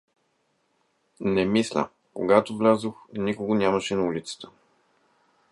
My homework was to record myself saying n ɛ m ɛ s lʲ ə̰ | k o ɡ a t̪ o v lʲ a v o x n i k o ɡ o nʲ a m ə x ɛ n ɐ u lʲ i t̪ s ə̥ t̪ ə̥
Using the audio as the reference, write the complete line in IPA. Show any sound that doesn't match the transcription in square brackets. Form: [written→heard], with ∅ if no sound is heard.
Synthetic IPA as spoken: n ɛ m [ɛ→i] s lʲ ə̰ | k o ɡ a t̪ o v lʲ a [v→z] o x n i k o ɡ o nʲ a m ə [x→ʃ] ɛ n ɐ u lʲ i t̪ s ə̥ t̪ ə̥